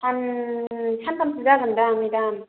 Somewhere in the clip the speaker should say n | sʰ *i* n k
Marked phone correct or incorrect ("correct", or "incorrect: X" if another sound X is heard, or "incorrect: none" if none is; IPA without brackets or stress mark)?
incorrect: a